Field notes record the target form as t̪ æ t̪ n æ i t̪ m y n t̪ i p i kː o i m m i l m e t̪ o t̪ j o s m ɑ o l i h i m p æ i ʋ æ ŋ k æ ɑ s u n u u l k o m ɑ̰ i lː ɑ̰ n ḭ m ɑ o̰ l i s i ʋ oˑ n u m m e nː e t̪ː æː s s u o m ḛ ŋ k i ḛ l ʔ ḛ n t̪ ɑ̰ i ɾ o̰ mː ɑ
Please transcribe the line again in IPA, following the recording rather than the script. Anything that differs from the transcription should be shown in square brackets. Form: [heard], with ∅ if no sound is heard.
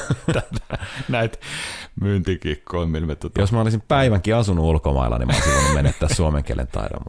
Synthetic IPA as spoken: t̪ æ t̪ n æ i t̪ m y n t̪ i [k] i kː o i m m i l m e t̪ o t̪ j o s m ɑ o l i [s] i m p æ i ʋ æ ŋ k [i] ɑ s u n u u l k o m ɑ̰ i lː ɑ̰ n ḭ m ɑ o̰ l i s i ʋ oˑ n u m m e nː e t̪ː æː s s u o m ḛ ŋ k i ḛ l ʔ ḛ n t̪ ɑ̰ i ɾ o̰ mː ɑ